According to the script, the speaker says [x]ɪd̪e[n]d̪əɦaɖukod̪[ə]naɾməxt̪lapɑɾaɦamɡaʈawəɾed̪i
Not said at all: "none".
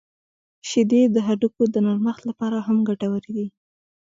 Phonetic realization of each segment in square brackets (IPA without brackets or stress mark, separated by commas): ʃ, none, ə